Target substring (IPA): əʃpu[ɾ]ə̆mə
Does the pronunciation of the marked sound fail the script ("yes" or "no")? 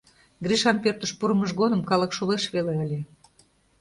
no